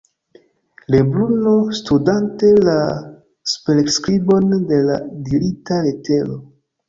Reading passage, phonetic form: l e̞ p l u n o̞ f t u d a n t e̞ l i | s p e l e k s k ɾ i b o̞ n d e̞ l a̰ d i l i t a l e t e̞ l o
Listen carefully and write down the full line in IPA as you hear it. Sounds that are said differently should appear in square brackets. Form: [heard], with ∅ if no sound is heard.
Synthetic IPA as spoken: l e̞ [b] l u n o̞ [s] t u d a n t e̞ l [a] | s p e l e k s k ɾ i b o̞ n d e̞ l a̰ d i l i t a l e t e̞ l o